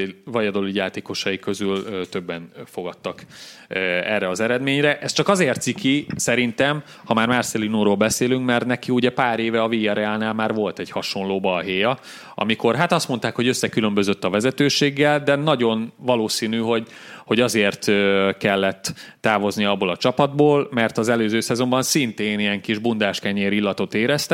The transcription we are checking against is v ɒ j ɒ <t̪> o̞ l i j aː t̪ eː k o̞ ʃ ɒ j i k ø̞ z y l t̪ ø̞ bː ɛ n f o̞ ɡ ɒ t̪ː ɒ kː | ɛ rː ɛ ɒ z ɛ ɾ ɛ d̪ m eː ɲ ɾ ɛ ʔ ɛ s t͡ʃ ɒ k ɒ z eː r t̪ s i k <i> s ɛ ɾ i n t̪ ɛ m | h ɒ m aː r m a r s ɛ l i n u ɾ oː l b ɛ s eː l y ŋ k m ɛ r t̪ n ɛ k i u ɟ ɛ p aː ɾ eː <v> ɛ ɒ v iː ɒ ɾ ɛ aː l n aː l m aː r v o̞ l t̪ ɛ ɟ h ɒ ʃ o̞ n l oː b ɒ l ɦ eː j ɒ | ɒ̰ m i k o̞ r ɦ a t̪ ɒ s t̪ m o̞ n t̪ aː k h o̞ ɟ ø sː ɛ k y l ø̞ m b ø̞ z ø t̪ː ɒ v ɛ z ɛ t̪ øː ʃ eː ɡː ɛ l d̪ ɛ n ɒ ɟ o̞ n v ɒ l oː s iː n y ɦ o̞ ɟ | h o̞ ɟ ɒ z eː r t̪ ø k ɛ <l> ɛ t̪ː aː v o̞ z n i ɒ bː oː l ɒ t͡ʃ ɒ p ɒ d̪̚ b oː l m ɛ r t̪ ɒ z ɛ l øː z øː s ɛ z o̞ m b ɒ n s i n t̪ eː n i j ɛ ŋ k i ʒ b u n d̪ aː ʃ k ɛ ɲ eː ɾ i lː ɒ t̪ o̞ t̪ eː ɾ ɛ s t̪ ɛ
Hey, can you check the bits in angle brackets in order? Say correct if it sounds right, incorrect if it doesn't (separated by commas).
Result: incorrect, correct, correct, incorrect